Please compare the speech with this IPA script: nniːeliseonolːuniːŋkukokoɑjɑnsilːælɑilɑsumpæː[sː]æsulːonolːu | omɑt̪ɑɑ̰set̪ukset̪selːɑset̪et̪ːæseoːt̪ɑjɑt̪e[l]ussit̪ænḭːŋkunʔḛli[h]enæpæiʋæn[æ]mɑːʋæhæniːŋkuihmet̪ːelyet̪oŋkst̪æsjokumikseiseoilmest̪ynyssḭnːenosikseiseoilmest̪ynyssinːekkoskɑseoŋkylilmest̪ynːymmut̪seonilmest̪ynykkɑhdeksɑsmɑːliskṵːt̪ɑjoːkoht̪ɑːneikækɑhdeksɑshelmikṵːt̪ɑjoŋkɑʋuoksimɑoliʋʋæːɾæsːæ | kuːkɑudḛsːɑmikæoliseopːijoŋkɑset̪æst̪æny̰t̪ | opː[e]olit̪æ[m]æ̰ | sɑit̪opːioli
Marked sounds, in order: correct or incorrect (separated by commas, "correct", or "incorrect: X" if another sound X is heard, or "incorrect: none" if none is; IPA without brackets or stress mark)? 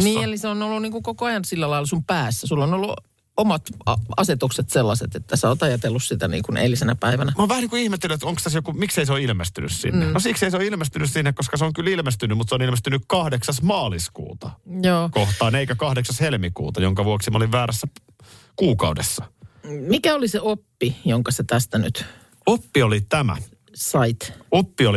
correct, incorrect: lː, incorrect: s, correct, incorrect: i, correct